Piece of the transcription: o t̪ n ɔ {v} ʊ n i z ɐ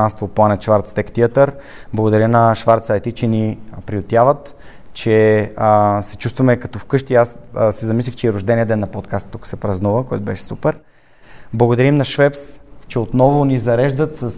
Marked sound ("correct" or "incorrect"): correct